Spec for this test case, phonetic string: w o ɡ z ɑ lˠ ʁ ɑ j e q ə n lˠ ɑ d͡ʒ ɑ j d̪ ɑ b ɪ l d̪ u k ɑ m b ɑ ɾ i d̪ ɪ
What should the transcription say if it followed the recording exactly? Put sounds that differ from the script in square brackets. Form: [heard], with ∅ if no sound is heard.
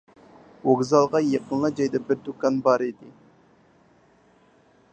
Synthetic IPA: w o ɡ z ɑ lˠ ʁ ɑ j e q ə n lˠ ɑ d͡ʒ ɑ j d̪ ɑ b ɪ [ɾ] d̪ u k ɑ [n] b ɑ ɾ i d̪ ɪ